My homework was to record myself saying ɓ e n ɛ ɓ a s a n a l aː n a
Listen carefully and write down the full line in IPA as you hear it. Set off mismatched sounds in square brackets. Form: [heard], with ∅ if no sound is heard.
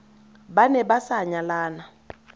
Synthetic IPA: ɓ [a] n ɛ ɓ a s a [ɲ] a l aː n a

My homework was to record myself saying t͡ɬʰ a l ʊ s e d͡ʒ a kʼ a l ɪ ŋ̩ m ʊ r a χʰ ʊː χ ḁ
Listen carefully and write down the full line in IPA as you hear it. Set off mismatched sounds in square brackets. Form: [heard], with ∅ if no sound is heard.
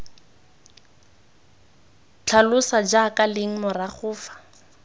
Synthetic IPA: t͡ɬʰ a l ʊ s [a] d͡ʒ a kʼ a l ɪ ŋ̩ m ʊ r a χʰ ʊː [f] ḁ

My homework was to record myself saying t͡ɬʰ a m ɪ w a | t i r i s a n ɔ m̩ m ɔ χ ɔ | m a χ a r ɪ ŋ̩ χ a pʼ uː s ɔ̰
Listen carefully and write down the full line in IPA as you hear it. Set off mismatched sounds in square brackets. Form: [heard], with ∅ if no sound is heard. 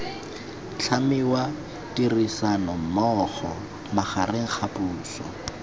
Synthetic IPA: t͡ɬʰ a m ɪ w a | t i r i s a n ɔ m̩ m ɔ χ ɔ | m a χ a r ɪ ŋ̩ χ a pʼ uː s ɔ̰

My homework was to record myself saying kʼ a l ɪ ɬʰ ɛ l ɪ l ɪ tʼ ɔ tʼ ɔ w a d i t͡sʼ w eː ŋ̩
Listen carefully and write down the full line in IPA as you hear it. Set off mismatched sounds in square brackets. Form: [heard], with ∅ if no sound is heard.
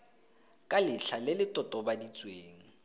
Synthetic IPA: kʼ a l ɪ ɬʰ [a] l ɪ l ɪ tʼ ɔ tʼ ɔ [b] a d i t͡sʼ w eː ŋ̩

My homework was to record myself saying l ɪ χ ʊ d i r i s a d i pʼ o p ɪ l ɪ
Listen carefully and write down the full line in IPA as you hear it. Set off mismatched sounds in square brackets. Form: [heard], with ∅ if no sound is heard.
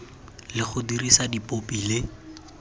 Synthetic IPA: l ɪ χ ʊ d i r i s a d i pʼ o p [i] l ɪ

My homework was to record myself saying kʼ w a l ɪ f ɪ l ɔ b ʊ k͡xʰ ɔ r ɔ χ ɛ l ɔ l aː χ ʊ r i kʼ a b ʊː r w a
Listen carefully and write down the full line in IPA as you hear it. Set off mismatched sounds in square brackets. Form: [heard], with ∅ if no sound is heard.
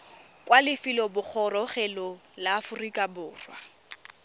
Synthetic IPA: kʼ w a l ɪ f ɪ l ɔ b ʊ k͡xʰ ɔ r ɔ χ ɛ l ɔ l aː [f] ʊ r i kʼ a b ʊː r w a

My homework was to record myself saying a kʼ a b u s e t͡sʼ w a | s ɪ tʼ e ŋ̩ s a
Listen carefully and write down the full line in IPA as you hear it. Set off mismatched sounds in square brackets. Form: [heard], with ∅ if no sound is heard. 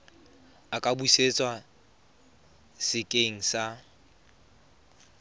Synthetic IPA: a kʼ a b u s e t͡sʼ w a | s ɪ [kʼ] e ŋ̩ s a

